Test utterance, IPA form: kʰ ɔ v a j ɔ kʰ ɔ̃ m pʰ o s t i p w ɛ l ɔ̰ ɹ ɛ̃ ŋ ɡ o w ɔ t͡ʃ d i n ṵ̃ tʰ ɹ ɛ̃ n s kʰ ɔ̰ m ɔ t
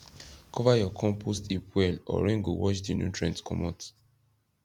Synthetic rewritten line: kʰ ɔ v a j ɔ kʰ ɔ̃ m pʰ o s t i p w ɛ l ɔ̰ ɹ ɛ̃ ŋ ɡ o w ɔ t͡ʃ d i n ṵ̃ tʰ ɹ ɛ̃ n t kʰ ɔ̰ m ɔ t